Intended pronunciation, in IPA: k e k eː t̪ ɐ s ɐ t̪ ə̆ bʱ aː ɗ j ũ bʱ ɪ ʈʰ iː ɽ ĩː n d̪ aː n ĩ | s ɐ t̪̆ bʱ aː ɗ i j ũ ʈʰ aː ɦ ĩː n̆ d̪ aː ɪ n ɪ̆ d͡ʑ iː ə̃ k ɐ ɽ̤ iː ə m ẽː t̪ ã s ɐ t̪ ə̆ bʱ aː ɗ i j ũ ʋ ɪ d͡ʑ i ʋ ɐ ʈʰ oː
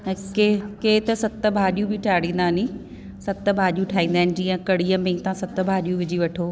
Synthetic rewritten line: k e k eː t̪ ɐ s ɐ t̪ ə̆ bʱ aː ɗ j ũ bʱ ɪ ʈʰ aː ɽ ĩː n d̪ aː n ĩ | s ɐ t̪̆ bʱ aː ɗ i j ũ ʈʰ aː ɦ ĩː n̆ d̪ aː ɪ n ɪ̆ d͡ʑ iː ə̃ k ɐ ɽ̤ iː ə m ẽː t̪ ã s ɐ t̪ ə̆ bʱ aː ɗ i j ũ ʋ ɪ d͡ʑ i ʋ ɐ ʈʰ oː

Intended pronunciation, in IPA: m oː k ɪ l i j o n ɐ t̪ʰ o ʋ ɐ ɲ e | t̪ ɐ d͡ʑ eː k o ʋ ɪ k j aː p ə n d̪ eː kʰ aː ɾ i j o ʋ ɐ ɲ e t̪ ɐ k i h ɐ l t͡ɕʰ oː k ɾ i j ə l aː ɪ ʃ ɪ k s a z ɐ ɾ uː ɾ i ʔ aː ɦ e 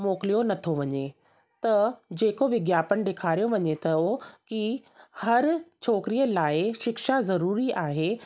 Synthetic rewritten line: m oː k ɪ l i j o n ɐ t̪ʰ o ʋ ɐ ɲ e | t̪ ɐ d͡ʑ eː k o ʋ ɪ ɡ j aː p ə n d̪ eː kʰ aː ɾ i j o ʋ ɐ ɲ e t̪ ɐ k i h ɐ ɾ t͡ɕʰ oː k ɾ i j ə l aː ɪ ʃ ɪ k ʃ a z ɐ ɾ uː ɾ i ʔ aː ɦ e

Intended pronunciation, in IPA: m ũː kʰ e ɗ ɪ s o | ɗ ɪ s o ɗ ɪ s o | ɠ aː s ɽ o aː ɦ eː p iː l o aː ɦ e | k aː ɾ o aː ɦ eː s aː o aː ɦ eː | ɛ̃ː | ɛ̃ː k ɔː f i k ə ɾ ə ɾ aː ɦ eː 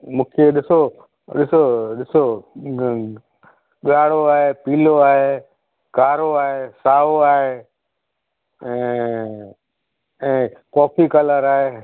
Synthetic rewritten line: m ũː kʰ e ɗ ɪ s o | ɗ ɪ s o ɗ ɪ s o | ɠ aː ɽ o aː ɦ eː p iː l o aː ɦ e | k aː ɾ o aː ɦ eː s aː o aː ɦ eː | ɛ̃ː | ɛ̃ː k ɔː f i k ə l ə ɾ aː ɦ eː

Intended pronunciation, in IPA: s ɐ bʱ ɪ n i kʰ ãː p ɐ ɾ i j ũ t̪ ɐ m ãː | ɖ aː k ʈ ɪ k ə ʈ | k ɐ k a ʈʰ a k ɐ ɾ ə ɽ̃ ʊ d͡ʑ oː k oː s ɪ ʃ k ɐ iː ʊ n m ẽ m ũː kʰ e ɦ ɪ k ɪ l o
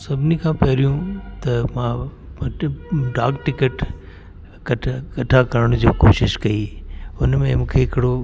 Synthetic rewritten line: s ɐ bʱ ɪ n i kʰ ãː p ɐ ɾ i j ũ t̪ ɐ m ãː | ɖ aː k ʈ ɪ k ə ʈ | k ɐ k ɐ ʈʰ a k ɐ ɾ ə ɽ̃ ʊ d͡ʑ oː k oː ʃ ɪ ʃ k ɐ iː ʊ n m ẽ m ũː kʰ e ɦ ɪ k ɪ ɽ o

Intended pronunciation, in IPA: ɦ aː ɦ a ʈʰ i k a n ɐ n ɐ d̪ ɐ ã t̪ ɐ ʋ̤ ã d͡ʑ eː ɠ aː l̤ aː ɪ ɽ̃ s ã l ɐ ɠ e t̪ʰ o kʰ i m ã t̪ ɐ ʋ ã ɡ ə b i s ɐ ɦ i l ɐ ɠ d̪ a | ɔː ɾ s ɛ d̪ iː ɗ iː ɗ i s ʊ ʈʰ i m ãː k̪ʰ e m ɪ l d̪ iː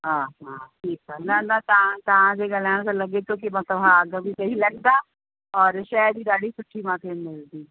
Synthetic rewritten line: ɦ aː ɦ a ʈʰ iː k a n ɐ n ɐ t̪ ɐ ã t̪ ɐ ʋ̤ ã d͡ʑ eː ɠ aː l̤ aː ɪ ɽ̃ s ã l ɐ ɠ e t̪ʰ o k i m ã t̪ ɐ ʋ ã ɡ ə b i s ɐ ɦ i l ɐ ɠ d̪ a | ɔː ɾ ʃ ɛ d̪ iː ɗ aː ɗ i s ʊ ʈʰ i m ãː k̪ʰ e m ɪ l d̪ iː

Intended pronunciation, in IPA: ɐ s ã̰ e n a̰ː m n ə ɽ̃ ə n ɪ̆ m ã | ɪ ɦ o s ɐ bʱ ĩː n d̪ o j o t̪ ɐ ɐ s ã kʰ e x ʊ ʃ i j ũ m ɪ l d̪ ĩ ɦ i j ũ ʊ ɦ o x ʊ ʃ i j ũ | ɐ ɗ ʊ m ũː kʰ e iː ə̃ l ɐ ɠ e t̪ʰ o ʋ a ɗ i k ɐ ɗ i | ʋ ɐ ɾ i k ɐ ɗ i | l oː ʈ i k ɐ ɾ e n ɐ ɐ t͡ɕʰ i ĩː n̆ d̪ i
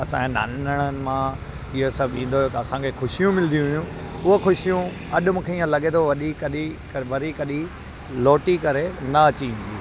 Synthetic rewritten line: ɐ s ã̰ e n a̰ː n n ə ɽ̃ ə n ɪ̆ m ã | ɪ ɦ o s ɐ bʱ ĩː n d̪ o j o t̪ ɐ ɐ s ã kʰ e x ʊ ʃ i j ũ m ɪ l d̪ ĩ ɦ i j ũ ʊ ɦ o x ʊ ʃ i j ũ | ɐ ɗ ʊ m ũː kʰ e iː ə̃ l ɐ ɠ e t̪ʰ o ʋ ɐ ɗ i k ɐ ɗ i | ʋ ɐ ɾ i k ɐ ɗ i | l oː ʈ i k ɐ ɾ e n ɐ ɐ t͡ɕ i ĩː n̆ d̪ i

